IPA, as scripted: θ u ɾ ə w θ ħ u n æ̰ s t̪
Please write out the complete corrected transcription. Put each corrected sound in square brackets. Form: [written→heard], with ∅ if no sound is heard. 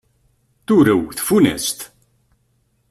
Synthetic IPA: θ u ɾ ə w θ [ħ→f] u n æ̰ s t̪